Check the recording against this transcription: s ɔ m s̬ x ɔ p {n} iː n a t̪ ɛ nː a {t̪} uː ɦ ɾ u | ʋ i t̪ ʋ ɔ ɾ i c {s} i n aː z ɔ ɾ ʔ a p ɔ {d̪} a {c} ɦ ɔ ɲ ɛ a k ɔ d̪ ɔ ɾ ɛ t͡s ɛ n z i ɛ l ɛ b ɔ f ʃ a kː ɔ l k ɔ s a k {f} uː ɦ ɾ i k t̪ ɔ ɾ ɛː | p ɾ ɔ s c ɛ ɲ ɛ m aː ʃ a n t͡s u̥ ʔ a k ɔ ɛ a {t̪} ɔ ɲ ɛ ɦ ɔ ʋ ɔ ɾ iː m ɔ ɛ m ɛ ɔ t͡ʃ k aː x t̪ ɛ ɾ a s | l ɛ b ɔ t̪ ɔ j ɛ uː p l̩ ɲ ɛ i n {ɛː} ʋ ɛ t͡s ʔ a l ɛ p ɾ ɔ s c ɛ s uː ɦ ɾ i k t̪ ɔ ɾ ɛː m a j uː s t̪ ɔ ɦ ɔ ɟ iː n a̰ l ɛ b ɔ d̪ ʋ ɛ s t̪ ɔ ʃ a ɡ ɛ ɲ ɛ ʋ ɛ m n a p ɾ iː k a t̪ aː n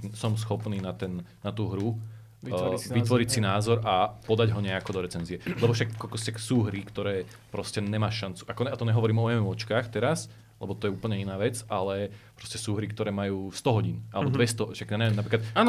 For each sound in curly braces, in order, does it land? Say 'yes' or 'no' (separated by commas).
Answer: yes, yes, yes, yes, no, no, yes, no